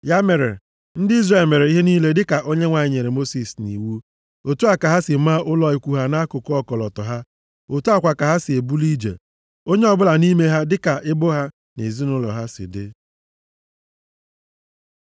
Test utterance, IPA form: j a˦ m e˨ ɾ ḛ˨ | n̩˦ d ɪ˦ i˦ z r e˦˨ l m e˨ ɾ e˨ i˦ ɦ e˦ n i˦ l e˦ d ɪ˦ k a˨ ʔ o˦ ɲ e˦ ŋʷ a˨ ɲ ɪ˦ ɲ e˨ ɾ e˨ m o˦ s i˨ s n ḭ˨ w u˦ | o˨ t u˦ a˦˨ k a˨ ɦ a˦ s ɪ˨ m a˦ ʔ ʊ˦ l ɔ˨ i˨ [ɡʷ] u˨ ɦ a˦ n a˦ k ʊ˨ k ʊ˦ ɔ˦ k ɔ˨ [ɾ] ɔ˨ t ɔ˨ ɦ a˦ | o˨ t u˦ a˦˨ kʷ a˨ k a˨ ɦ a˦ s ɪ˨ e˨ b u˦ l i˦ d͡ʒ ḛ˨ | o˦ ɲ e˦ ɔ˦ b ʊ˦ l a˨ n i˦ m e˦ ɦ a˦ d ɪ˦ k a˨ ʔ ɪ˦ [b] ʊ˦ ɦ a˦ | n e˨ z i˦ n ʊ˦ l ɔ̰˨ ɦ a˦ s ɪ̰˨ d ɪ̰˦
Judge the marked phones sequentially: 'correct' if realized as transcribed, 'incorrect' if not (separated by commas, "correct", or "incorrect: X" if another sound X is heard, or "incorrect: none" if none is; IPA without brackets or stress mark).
incorrect: kʷ, incorrect: l, correct